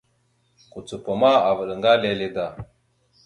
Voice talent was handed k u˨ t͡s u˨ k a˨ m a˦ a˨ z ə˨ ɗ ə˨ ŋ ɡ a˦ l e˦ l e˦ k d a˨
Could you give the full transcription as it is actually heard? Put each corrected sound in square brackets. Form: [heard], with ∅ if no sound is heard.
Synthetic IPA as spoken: k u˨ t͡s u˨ [p] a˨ m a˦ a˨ [v] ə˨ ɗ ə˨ ŋ ɡ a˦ l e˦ l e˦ [∅] d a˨